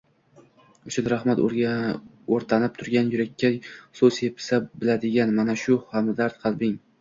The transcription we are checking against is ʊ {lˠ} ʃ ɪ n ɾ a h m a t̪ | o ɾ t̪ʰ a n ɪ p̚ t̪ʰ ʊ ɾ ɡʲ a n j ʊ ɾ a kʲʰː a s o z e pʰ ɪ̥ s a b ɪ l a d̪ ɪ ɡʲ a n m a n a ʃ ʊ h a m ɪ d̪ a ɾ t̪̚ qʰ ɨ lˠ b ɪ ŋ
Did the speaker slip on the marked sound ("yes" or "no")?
yes